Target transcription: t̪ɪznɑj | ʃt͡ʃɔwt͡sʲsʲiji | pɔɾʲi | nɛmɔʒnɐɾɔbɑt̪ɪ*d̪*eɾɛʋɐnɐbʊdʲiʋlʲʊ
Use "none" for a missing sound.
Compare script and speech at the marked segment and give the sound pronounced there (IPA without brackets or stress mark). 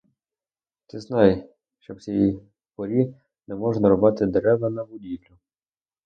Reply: d̪